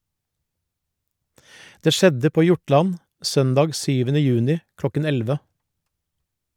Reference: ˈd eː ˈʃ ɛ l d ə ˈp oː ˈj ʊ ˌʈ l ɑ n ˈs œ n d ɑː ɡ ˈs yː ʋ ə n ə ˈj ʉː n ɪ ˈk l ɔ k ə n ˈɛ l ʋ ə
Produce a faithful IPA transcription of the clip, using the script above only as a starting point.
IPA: ˈd eː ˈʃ ɛ d ə ˈp oː ˈj ʊ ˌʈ l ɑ n ˈs œ n d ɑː ɡ ˈs yː ʋ ə n ə ˈj ʉː n ɪ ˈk l ɔ k ə n ˈɛ l ʋ ə